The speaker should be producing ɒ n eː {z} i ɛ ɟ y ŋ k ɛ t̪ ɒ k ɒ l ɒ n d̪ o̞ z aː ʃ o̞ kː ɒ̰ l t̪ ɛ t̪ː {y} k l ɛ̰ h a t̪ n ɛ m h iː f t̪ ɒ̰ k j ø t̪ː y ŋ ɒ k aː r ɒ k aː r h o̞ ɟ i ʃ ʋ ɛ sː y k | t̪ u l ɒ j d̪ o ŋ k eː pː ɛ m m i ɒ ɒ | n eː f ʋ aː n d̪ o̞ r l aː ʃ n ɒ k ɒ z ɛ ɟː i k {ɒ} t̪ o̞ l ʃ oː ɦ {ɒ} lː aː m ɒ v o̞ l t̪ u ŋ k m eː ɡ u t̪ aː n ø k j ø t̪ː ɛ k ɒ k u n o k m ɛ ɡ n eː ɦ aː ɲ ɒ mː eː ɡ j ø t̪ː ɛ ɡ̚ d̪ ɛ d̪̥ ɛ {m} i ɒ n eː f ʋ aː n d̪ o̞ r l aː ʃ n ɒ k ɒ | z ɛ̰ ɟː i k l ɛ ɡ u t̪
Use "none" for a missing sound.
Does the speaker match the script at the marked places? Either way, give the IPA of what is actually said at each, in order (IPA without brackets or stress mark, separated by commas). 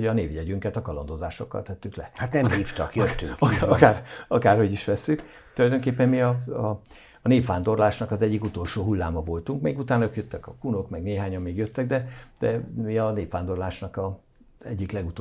v, y, u, u, m